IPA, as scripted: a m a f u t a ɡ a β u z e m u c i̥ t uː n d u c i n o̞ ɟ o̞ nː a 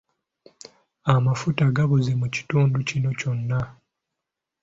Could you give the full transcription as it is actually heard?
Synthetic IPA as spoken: a m a f u t a ɡ a β u z e m u c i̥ t uː n d u c i n o̞ c o̞ nː a